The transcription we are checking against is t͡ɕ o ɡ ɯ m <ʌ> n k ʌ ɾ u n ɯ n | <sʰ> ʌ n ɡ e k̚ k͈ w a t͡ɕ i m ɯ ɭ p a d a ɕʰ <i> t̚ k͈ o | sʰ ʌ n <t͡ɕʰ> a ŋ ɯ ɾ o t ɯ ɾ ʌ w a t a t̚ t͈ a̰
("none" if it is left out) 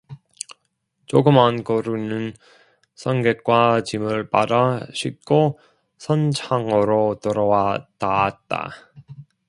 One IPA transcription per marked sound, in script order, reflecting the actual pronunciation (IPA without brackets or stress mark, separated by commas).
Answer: a, sʰ, i, t͡ɕʰ